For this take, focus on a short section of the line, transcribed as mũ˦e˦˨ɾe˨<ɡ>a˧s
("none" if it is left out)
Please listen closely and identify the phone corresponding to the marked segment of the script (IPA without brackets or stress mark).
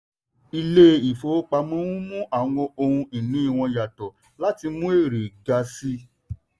ɡ